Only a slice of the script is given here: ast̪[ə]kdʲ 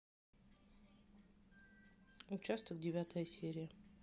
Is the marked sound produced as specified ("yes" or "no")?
yes